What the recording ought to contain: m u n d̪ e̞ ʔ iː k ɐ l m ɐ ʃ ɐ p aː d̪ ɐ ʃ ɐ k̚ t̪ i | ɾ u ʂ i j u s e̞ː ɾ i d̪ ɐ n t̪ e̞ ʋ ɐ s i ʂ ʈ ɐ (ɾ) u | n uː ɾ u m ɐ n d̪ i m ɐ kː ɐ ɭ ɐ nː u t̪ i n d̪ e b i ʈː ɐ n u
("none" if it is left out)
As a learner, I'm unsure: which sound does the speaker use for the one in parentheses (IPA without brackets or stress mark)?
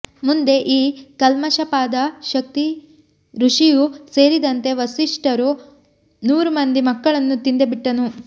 ɾ